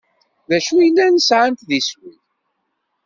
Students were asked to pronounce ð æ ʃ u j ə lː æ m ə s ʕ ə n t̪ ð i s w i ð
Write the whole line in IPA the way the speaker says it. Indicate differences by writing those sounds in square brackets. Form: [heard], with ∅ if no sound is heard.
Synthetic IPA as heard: ð æ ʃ u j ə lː æ [n] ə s ʕ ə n t̪ ð i s w i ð